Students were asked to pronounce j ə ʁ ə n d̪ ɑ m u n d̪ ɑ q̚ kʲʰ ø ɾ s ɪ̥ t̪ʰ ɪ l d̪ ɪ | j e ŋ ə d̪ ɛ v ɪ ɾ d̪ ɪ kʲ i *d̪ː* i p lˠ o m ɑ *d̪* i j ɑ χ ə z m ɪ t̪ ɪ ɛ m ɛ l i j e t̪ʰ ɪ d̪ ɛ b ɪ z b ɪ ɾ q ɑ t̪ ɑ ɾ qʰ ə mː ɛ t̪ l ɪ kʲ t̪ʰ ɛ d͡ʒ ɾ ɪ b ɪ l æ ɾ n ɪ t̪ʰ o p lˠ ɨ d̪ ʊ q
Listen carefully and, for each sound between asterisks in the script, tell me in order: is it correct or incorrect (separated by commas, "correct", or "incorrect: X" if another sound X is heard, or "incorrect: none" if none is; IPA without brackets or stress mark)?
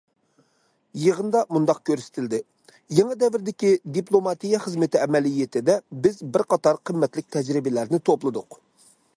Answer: incorrect: d̪, incorrect: t̪